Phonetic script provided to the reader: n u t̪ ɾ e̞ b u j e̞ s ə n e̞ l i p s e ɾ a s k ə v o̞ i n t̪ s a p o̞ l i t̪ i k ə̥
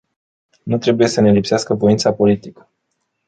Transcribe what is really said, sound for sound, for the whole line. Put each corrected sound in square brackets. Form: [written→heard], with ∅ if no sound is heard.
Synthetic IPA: n u t̪ ɾ e̞ b u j e̞ s ə n e̞ l i p s e [ɾ→∅] a s k ə v o̞ i n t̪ s a p o̞ l i t̪ i k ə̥